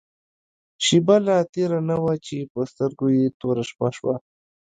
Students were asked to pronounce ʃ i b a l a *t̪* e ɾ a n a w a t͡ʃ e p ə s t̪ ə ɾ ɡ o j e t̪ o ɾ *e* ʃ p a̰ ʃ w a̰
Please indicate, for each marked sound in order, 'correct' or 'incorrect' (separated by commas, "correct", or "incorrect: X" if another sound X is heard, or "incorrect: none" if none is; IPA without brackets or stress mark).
correct, incorrect: a